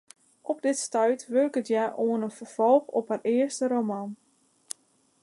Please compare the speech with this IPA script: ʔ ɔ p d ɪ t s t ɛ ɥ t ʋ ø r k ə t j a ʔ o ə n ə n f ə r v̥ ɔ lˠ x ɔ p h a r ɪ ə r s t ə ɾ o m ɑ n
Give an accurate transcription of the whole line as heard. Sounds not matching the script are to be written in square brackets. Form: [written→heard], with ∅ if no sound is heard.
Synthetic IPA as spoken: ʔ ɔ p d ɪ t s t [ɛ→œ] ɥ t ʋ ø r k ə t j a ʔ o ə n ə n f ə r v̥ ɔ lˠ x ɔ p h a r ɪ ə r s t ə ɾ o m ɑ n